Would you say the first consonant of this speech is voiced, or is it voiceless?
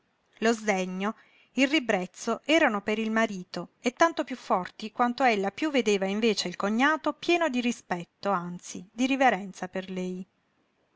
voiced